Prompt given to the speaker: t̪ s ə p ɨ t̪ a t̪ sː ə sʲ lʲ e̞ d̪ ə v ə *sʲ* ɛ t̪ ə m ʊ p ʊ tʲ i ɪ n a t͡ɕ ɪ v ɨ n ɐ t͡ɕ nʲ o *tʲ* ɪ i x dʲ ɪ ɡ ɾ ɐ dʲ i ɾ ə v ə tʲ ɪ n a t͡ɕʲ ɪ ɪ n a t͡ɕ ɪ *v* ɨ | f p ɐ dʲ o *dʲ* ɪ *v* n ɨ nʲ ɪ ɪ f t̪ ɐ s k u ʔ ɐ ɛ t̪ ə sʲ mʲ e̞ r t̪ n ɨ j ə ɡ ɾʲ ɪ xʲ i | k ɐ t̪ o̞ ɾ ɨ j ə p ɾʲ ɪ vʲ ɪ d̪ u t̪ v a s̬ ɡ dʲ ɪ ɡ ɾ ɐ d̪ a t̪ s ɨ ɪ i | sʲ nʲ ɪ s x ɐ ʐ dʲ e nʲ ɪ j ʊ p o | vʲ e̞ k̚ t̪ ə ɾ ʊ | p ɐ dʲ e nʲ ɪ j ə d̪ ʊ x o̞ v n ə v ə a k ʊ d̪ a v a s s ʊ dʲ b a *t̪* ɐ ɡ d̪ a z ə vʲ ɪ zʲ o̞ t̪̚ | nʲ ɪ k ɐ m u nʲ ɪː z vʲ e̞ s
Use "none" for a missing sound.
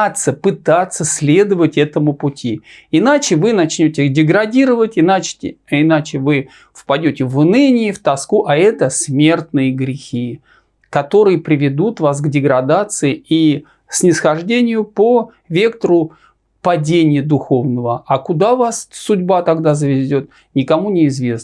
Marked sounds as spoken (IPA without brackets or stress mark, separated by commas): tʲ, tʲ, v, tʲ, v, t̪